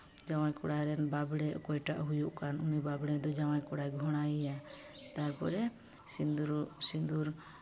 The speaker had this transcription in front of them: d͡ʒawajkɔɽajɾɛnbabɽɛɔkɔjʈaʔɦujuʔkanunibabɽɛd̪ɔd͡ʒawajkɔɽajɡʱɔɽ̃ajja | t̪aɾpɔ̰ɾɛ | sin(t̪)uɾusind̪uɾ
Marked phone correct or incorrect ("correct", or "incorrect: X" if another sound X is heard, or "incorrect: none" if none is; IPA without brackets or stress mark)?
incorrect: d̪